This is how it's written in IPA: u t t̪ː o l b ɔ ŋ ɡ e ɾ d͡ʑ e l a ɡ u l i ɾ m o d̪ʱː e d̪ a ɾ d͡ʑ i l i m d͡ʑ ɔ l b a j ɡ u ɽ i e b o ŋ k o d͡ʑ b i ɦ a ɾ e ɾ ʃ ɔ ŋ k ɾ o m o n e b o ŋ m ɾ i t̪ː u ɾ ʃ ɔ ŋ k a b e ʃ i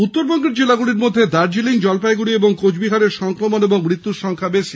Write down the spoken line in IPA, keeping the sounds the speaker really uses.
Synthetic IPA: u t t̪ː o ɾ b ɔ ŋ ɡ e ɾ d͡ʑ e l a ɡ u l i ɾ m o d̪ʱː e d̪ a ɾ d͡ʑ i l i ŋ d͡ʑ ɔ l p a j ɡ u ɽ i e b o ŋ k o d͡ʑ b i ɦ a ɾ e ɾ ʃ ɔ ŋ k ɾ o m o n e b o ŋ m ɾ i t̪ː u ɾ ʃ ɔ ŋ kʰ a b e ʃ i